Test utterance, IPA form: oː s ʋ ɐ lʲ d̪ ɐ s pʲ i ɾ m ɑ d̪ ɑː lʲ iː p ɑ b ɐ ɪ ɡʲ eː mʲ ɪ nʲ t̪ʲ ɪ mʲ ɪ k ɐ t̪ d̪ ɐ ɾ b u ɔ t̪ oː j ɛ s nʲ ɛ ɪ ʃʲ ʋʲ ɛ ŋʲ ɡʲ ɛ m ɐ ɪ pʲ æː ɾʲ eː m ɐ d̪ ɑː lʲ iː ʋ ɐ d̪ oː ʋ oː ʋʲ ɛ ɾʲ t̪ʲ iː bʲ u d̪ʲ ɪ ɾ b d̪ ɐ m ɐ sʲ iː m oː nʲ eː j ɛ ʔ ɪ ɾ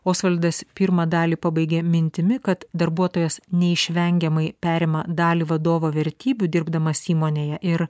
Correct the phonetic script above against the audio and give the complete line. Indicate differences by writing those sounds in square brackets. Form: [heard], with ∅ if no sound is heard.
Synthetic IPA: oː s ʋ ɐ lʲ d̪ ɐ s pʲ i ɾ m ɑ d̪ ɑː lʲ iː p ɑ b ɐ ɪ ɡʲ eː mʲ ɪ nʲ t̪ʲ ɪ mʲ ɪ k ɐ t̪ d̪ ɐ ɾ b u ɔ t̪ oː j ɛ s nʲ ɛ ɪ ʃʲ ʋʲ ɛ ŋʲ ɡʲ ɛ m ɐ ɪ pʲ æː ɾʲ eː m ɐ d̪ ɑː lʲ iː ʋ ɐ d̪ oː ʋ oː ʋʲ ɛ ɾʲ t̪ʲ iː bʲ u d̪ʲ ɪ ɾ b d̪ ɐ m ɐ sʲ iː m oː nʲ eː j ɛ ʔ ɪ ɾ

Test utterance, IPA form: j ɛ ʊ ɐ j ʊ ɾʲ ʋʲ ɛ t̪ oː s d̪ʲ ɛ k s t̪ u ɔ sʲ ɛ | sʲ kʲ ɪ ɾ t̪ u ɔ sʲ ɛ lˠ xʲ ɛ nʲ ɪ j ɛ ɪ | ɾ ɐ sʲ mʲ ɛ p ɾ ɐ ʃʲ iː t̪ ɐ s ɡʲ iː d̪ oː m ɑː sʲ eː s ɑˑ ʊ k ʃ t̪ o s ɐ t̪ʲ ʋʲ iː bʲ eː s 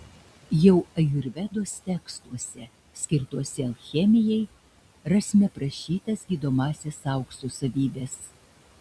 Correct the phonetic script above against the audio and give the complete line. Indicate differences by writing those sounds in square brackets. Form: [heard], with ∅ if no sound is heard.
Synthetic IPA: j ɛ ʊ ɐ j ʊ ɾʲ ʋʲ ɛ [d̪] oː s [t̪ʲ] ɛ k s t̪ u ɔ sʲ ɛ | sʲ kʲ ɪ ɾ t̪ u ɔ sʲ ɛ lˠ xʲ ɛ [mʲ] ɪ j ɛ ɪ | ɾ ɐ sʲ mʲ ɛ p ɾ ɐ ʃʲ iː t̪ ɐ s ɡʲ iː d̪ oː m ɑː sʲ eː s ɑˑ ʊ k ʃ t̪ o s ɐ [∅] ʋʲ iː bʲ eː s

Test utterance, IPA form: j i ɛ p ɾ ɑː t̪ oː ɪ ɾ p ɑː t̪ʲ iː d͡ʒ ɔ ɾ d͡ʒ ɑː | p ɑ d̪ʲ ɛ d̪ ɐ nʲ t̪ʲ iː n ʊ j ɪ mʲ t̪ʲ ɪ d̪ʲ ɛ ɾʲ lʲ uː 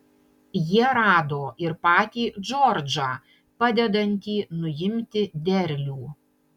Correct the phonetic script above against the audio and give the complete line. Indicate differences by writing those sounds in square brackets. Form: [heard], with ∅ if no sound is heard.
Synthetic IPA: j i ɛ [∅] ɾ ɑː [d̪] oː ɪ ɾ p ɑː t̪ʲ iː d͡ʒ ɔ ɾ d͡ʒ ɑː | p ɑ d̪ʲ ɛ d̪ ɐ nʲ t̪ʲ iː n ʊ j ɪ mʲ t̪ʲ ɪ d̪ʲ ɛ ɾʲ lʲ uː

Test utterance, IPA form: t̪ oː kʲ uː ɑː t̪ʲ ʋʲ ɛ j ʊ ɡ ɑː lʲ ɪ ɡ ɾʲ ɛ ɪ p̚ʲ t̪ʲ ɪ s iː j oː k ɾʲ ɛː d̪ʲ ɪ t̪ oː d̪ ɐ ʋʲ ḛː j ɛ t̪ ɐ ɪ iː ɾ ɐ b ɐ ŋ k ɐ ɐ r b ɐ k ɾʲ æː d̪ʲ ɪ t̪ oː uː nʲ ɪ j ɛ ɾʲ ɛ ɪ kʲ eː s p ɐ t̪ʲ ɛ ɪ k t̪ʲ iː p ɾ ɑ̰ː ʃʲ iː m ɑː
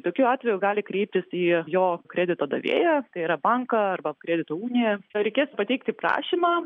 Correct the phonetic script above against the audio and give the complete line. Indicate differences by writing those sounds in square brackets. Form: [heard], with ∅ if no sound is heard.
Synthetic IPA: t̪ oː kʲ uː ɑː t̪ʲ ʋʲ ɛ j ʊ ɡ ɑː lʲ ɪ [k] ɾʲ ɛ ɪ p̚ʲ t̪ʲ ɪ s iː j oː k ɾʲ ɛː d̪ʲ ɪ t̪ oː d̪ ɐ ʋʲ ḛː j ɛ t̪ ɐ ɪ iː ɾ ɐ b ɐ ŋ k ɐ ɐ r b ɐ k ɾʲ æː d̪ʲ ɪ t̪ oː uː nʲ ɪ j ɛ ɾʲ ɛ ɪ kʲ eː s p ɐ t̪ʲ ɛ ɪ k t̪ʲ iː p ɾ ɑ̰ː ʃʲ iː m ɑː

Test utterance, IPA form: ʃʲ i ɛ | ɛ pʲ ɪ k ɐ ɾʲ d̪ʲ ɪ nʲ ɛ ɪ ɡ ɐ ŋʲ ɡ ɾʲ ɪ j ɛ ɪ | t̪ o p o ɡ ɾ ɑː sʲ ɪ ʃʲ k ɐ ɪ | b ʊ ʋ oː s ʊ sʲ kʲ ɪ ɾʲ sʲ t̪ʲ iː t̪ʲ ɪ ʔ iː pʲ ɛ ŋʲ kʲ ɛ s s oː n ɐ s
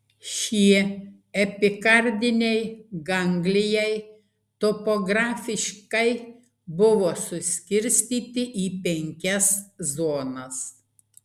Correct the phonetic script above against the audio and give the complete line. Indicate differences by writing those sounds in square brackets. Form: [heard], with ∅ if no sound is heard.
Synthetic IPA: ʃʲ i ɛ | ɛ pʲ ɪ k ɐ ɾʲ d̪ʲ ɪ nʲ ɛ ɪ ɡ ɐ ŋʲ ɡ [lʲ] ɪ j ɛ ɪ | t̪ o p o ɡ ɾ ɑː [fʲ] ɪ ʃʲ k ɐ ɪ | b ʊ ʋ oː s ʊ sʲ kʲ ɪ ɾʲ sʲ t̪ʲ iː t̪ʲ ɪ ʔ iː pʲ ɛ ŋʲ kʲ ɛ s [z] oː n ɐ s

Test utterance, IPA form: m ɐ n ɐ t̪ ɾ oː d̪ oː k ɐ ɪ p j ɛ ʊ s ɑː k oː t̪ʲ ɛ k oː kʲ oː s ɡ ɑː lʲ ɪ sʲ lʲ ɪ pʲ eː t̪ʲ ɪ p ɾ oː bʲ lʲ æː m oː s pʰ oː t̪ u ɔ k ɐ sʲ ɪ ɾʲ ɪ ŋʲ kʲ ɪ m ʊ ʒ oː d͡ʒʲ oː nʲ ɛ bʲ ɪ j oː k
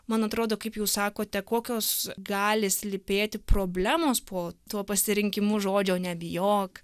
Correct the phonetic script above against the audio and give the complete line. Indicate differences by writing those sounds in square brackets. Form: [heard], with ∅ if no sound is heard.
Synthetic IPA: m ɐ n ɐ t̪ ɾ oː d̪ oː k ɐ ɪ p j ɛ ʊ s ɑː k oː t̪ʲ ɛ k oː kʲ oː s ɡ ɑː lʲ ɪ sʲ lʲ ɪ pʲ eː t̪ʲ ɪ p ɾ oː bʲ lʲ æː m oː s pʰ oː t̪ u ɔ [p] ɐ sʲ ɪ ɾʲ ɪ ŋʲ kʲ ɪ m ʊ ʒ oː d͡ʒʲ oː nʲ ɛ bʲ ɪ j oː k

